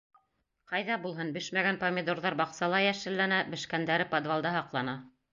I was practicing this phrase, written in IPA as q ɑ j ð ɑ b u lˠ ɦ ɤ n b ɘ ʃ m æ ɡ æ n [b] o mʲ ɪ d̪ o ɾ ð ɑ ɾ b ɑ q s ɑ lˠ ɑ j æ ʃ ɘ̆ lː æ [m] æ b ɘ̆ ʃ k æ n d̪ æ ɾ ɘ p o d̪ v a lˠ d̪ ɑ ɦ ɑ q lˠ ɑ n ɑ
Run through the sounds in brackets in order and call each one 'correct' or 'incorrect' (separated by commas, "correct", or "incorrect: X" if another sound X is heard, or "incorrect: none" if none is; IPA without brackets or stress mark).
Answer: incorrect: p, incorrect: n